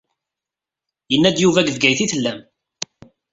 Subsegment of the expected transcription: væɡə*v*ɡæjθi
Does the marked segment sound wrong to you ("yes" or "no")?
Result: no